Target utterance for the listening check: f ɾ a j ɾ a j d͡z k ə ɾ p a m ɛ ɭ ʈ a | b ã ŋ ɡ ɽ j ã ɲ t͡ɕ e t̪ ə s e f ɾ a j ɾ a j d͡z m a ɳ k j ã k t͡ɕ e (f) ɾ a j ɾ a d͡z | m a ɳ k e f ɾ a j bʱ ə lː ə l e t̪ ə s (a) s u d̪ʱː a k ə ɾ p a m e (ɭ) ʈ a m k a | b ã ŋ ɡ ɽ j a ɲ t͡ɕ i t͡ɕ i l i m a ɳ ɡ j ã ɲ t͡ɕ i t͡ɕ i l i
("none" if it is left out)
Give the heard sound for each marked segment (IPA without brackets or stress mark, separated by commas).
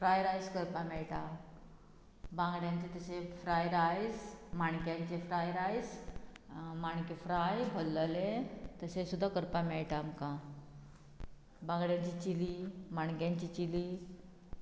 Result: f, e, ɭ